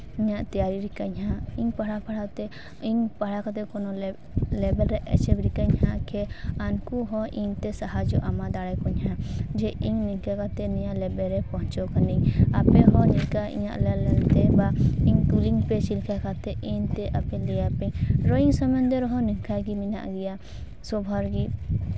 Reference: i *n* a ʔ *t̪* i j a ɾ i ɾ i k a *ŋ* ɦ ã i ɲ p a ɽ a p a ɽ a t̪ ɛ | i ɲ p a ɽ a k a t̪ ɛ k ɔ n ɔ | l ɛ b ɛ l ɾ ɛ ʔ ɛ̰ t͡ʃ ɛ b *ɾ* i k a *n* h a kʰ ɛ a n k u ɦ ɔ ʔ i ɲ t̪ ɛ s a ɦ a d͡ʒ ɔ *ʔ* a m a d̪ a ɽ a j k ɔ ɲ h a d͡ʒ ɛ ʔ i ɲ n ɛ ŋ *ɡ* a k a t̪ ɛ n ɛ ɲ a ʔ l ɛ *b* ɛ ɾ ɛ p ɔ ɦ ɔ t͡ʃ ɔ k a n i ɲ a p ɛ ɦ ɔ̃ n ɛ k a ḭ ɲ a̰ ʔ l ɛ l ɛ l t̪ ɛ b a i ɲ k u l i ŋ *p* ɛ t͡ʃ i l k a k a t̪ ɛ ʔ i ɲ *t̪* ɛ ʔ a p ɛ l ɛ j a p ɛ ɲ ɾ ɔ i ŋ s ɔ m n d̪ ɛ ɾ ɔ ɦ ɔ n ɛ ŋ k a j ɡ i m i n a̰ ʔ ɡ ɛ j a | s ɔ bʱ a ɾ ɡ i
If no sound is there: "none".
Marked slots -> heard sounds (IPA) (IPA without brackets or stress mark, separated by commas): ɲ, t̪, ɲ, ɾ, ɲ, ʔ, k, b, p, t̪